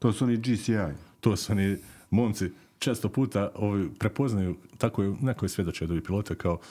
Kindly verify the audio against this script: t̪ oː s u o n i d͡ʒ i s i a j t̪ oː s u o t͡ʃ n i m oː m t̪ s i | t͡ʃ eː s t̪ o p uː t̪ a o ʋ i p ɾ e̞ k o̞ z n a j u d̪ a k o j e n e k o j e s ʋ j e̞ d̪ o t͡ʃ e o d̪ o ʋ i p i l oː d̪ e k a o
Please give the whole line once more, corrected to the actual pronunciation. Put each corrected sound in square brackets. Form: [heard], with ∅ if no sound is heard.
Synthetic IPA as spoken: t̪ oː s u o n i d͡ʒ i s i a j t̪ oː s u o [∅] n i m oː m t̪ s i | t͡ʃ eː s t̪ o p uː t̪ a o ʋ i p ɾ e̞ [p] o̞ z n a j u [t̪] a k o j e n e k o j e s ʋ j e̞ d̪ o t͡ʃ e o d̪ o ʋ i p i l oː [t̪] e k a o